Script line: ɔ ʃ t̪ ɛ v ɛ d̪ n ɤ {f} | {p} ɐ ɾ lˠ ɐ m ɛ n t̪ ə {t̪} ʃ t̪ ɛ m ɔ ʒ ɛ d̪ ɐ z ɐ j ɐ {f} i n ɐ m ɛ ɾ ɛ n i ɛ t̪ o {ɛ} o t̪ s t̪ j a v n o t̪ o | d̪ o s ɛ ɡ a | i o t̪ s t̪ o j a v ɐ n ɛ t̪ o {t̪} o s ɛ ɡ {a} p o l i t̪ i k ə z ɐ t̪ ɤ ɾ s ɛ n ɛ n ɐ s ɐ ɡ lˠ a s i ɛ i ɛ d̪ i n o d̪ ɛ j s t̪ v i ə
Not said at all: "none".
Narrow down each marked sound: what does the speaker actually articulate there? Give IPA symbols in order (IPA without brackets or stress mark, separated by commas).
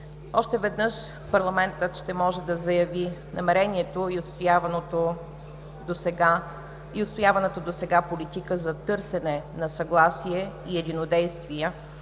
ʃ, p, t̪, v, i, d̪, a